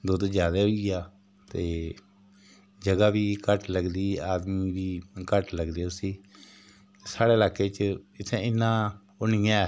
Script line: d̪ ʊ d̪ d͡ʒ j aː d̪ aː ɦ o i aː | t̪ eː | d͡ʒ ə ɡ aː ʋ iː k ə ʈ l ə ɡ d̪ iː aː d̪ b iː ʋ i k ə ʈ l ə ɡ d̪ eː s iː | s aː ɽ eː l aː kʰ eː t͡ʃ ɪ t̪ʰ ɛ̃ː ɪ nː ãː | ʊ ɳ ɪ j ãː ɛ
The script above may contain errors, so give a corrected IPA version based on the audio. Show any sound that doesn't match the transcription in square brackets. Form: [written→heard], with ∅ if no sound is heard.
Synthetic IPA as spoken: d̪ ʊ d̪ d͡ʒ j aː d̪ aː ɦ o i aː | t̪ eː | d͡ʒ ə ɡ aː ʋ iː k ə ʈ l ə ɡ d̪ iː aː d̪ [b→m] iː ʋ [i→iː] k ə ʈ l ə ɡ d̪ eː s iː | s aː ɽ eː l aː [kʰ→k] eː t͡ʃ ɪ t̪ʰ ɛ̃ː ɪ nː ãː | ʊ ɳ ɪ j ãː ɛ